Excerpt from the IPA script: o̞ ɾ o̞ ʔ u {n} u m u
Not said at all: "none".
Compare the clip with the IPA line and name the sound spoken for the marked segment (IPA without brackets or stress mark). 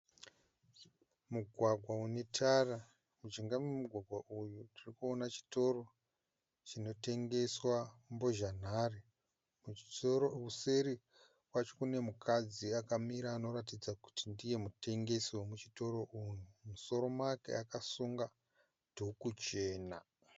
n